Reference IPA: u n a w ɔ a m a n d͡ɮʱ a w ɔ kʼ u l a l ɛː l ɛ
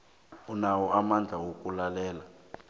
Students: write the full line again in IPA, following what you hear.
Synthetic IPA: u n a w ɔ a m a n d͡ɮʱ a w o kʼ u l a l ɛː l a